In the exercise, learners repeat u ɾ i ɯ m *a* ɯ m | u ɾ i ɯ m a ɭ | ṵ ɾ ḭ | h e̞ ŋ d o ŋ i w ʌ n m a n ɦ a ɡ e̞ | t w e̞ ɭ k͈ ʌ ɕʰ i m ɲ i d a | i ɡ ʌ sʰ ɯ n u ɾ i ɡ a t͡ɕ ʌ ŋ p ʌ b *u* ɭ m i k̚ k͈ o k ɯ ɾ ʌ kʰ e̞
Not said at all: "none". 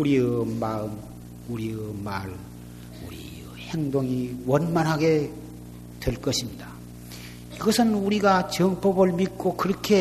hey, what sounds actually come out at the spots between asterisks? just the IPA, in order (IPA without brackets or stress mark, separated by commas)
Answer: a, ɯ